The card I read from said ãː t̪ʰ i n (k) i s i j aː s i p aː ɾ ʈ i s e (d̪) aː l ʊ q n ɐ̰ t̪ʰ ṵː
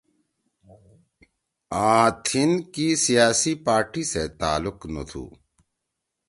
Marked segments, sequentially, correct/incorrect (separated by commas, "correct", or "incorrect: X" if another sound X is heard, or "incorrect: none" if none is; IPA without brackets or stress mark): correct, incorrect: t̪